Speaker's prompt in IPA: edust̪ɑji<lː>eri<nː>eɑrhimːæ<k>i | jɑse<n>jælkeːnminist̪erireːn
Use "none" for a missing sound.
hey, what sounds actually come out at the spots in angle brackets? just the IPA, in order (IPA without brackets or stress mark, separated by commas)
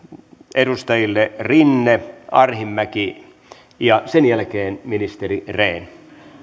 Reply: lː, nː, k, n